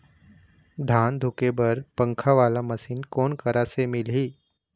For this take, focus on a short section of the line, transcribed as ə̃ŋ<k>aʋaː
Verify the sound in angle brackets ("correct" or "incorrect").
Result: incorrect